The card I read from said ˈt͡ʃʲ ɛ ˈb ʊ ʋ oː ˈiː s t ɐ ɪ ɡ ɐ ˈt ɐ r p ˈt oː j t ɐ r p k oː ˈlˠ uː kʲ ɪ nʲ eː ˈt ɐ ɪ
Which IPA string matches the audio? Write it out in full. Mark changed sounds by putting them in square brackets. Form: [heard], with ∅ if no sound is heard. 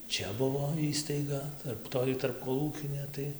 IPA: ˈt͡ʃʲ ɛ ˈb ʊ ʋ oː ˈiː s t ɐ ɪ ɡ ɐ ˈt ɐ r p ˈt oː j t ɐ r p k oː ˈlˠ uː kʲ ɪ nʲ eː ˈt ɐ ɪ

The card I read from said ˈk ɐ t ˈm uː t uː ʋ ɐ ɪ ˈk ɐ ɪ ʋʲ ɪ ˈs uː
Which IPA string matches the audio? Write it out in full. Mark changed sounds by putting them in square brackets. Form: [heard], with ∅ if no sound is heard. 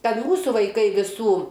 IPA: ˈk ɐ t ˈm uː [s] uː ʋ ɐ ɪ ˈk ɐ ɪ ʋʲ ɪ ˈs uː

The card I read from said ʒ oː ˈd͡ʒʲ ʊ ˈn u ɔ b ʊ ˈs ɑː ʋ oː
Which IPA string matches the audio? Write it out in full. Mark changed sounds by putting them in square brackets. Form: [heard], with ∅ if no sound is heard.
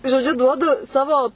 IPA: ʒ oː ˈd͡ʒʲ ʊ [ˈd] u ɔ [d] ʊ ˈs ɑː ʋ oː

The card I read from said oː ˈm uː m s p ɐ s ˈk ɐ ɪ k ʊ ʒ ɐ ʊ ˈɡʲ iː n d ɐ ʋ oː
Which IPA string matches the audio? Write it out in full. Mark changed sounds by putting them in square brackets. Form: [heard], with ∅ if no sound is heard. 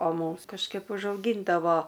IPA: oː ˈm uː m s [k] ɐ [ʃ] ˈk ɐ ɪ [p] ʊ ʒ ɐ ʊ ˈɡʲ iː n d ɐ ʋ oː

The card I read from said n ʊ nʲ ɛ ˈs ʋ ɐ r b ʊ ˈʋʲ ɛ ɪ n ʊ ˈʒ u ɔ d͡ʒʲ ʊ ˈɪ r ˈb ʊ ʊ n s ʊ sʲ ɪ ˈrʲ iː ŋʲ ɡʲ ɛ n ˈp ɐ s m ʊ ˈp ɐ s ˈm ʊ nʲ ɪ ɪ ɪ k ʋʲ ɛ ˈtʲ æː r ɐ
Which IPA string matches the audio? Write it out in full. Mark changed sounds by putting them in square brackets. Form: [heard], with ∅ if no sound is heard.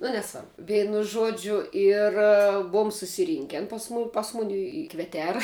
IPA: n ʊ nʲ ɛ ˈs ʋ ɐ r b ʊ ˈʋʲ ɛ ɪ n ʊ ˈʒ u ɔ d͡ʒʲ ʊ ˈɪ r ˈb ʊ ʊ [m] s ʊ sʲ ɪ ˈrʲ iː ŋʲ [kʲ] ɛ n ˈp ɐ s m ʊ ˈp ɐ s ˈm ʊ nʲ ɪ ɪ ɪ k ʋʲ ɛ ˈtʲ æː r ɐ

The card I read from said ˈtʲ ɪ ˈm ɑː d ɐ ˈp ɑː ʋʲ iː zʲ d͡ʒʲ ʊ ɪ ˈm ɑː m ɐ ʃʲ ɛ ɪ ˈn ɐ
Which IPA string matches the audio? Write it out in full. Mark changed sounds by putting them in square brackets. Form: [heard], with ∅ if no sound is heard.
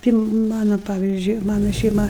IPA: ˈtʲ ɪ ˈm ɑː [n] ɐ ˈp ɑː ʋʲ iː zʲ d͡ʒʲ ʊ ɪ ˈm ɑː [n] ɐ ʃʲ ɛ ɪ [ˈm] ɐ

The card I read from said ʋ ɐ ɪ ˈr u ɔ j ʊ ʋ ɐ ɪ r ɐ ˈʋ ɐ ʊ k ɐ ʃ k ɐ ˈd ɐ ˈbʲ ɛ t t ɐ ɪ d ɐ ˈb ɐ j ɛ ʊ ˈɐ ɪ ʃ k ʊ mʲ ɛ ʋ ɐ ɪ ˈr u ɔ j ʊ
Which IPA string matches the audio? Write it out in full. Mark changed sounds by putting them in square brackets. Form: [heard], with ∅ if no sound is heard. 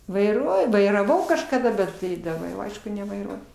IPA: ʋ ɐ ɪ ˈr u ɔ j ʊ ʋ ɐ ɪ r ɐ ˈʋ ɐ ʊ k ɐ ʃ k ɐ ˈd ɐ ˈbʲ ɛ t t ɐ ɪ d ɐ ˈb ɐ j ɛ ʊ ˈɐ ɪ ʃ k ʊ [nʲ] ɛ ʋ ɐ ɪ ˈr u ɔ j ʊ

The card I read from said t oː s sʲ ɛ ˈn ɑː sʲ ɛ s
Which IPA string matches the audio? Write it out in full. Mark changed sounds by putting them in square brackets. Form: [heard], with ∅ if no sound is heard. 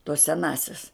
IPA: t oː s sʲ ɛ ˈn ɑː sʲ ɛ s

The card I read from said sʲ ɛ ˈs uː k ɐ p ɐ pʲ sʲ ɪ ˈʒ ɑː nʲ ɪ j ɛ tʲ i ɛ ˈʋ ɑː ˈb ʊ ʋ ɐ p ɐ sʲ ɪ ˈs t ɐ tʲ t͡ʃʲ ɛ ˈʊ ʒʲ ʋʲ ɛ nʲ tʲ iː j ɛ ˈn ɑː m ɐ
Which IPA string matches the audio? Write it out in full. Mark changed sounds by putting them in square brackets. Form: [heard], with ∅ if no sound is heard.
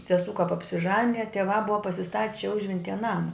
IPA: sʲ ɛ ˈs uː k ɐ p ɐ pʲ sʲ ɪ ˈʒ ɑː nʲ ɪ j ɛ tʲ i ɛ ˈʋ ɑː ˈb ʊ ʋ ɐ p ɐ sʲ ɪ ˈs t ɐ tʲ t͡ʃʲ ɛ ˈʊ ʒʲ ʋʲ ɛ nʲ tʲ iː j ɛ ˈn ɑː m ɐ

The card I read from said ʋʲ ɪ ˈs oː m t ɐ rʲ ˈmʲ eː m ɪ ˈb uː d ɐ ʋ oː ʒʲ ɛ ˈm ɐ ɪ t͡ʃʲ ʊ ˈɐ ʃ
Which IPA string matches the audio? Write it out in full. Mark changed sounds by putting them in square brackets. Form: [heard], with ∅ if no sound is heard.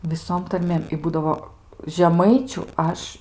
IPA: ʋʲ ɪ ˈs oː m t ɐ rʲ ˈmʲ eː m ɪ ˈb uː d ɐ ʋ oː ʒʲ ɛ ˈm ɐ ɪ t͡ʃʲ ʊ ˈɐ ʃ

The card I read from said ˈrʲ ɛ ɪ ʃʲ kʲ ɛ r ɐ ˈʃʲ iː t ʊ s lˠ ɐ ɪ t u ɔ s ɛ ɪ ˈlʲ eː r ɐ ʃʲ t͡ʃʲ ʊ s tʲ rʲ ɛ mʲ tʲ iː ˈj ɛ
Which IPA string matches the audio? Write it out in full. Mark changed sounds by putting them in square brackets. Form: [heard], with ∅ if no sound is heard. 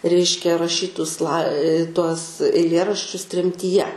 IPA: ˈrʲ ɛ ɪ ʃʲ kʲ ɛ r ɐ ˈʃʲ iː t ʊ s lˠ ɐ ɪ t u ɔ s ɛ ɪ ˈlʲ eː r ɐ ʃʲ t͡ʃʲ ʊ s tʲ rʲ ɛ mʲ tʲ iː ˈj ɛ

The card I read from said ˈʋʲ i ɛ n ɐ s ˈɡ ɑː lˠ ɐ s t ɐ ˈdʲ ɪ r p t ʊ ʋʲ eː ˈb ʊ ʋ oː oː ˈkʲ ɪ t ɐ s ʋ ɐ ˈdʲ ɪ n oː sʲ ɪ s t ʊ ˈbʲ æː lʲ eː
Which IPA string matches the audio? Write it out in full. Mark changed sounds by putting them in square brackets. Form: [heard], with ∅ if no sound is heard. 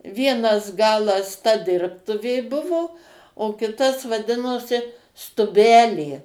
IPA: ˈʋʲ i ɛ n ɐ s ˈɡ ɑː lˠ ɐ s t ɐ ˈdʲ ɪ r p t ʊ ʋʲ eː ˈb ʊ ʋ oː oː ˈkʲ ɪ t ɐ s ʋ ɐ ˈdʲ ɪ n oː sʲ ɪ s t ʊ ˈbʲ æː lʲ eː

